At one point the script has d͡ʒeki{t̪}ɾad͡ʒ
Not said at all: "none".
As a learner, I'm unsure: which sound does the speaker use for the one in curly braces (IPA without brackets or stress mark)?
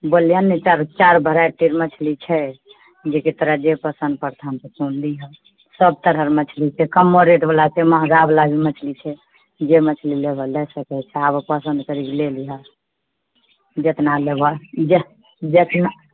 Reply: t̪